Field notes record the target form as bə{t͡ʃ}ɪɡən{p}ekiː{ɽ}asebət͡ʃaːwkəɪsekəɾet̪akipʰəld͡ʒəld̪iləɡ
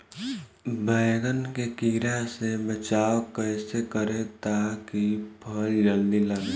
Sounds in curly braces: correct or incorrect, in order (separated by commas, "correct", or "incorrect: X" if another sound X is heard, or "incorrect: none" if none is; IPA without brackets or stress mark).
incorrect: none, incorrect: k, incorrect: ɾ